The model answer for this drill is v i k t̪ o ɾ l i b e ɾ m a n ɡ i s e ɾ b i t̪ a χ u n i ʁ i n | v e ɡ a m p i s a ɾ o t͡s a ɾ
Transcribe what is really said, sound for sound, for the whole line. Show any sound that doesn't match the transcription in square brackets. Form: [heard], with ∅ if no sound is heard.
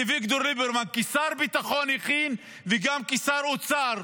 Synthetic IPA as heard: v i k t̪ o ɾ l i b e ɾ m a n [k] i s [a] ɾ b i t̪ a χ [o] n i [χ] i n | v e ɡ a m [k] i s a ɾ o t͡s a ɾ